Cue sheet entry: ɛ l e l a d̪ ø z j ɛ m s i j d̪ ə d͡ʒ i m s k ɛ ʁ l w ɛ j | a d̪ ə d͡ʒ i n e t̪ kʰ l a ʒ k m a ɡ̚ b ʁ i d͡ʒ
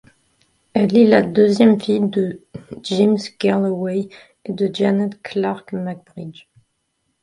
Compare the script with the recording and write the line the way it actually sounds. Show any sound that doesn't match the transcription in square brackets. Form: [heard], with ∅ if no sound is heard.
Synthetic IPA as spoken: ɛ l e l a d̪ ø z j ɛ m [f] i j d̪ ə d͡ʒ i m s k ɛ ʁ l w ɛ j | [e] d̪ ə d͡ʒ [a] n [ɛ] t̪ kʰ l a [ʁ] k m a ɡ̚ b ʁ i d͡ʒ